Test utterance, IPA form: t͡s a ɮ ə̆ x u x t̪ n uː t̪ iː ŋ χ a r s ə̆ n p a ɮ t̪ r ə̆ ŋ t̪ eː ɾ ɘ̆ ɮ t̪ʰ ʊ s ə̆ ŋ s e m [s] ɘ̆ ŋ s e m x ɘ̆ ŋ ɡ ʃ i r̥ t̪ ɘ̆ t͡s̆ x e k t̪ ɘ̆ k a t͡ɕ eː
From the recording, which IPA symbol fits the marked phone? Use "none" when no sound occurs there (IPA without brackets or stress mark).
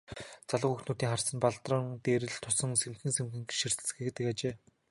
x